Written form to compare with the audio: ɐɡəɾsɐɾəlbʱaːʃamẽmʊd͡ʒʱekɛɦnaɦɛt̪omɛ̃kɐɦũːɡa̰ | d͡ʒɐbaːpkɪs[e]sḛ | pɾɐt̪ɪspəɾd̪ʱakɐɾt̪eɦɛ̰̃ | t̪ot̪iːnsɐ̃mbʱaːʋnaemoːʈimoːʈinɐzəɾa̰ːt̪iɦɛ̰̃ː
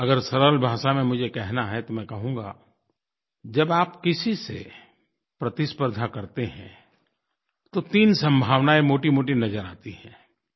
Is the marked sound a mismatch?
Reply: yes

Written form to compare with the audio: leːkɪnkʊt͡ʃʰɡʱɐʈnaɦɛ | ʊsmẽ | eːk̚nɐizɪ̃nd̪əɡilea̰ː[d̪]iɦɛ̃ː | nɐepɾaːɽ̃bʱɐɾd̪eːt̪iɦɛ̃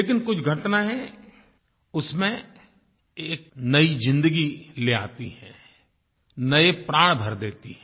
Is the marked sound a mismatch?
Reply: yes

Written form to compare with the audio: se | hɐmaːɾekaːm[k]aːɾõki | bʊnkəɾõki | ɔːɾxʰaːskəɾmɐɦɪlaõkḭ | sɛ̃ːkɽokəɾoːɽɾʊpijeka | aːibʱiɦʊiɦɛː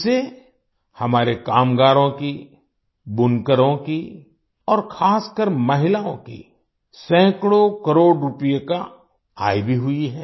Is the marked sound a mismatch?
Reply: yes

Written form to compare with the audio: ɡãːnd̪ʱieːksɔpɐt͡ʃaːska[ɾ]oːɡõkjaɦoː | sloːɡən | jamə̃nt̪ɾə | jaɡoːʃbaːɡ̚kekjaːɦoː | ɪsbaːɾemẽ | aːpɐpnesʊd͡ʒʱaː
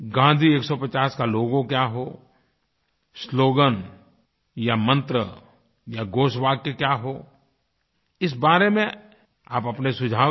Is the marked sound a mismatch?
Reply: yes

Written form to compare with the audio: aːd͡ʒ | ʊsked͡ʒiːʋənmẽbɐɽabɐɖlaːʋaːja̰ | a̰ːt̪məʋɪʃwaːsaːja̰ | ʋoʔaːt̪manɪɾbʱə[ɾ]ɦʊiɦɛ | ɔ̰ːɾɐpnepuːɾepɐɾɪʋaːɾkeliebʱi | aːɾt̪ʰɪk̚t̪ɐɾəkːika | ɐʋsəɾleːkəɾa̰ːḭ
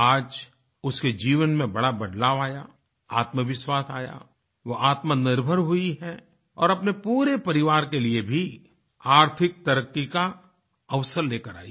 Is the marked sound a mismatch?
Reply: no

